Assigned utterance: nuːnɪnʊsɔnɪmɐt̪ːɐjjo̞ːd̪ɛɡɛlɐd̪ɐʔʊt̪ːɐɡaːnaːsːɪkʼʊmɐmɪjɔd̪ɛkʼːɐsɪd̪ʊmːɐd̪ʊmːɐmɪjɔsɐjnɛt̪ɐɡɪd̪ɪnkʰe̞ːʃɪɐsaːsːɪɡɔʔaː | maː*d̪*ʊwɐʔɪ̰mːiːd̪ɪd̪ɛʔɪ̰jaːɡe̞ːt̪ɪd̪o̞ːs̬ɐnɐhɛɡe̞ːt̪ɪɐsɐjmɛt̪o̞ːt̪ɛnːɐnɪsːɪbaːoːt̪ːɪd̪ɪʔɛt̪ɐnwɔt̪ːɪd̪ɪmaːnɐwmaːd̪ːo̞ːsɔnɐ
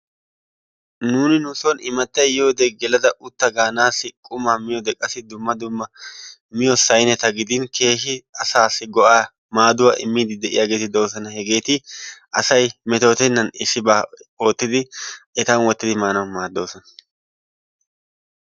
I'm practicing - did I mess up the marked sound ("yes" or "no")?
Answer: no